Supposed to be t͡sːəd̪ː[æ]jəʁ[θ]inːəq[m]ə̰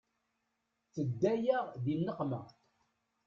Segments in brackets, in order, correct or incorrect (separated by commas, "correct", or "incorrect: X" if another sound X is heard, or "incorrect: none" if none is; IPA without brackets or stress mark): correct, incorrect: ð, correct